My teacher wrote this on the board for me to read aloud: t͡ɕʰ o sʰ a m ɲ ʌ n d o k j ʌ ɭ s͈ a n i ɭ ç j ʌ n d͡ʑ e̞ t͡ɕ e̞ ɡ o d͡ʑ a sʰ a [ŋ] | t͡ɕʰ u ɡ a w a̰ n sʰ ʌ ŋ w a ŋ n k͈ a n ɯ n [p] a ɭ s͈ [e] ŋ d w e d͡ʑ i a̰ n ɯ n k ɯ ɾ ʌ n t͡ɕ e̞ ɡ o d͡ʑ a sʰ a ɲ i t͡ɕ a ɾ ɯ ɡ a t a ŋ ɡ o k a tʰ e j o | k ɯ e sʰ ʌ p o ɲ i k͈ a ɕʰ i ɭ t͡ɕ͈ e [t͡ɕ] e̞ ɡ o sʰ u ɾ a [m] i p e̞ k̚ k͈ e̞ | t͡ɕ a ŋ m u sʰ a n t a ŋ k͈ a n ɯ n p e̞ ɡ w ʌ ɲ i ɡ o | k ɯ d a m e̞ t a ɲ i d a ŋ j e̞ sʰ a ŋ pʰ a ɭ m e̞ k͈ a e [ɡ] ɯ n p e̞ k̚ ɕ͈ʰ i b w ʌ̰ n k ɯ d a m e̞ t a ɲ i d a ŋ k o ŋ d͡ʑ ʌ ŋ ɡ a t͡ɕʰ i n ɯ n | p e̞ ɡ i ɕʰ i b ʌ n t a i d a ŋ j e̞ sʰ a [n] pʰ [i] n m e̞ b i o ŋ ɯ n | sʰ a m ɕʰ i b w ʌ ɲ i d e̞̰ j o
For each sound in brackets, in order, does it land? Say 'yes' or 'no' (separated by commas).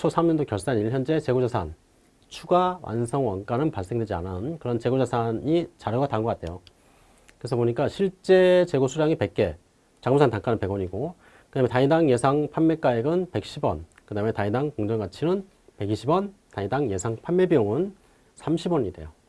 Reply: no, yes, yes, yes, no, yes, no, no